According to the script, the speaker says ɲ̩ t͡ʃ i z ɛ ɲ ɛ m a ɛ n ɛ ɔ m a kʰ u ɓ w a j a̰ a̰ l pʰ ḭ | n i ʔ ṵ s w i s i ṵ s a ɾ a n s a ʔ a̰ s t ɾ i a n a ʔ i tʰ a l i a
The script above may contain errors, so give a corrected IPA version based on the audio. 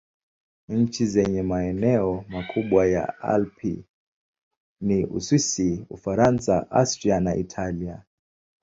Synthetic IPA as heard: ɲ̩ t͡ʃ i z ɛ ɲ ɛ m a ɛ n ɛ ɔ m a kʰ u ɓ w a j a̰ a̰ l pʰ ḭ | n i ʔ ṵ s w i s i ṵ f a ɾ a n s a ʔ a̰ s t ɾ i a n a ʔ i tʰ a l i a